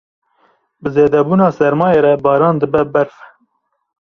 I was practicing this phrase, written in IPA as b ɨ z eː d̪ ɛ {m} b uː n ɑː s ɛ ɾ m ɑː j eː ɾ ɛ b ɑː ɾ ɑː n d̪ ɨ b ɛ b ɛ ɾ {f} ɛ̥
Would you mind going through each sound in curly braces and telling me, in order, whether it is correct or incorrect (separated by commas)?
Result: incorrect, correct